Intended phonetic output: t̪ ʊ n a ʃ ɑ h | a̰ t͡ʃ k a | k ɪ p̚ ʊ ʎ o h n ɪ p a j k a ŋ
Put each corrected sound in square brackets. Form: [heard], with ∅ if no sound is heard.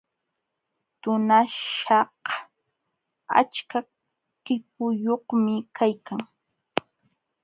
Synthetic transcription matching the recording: t̪ ʊ n a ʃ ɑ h | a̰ t͡ʃ k a | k ɪ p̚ ʊ [j] o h [m] ɪ [k] a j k a ŋ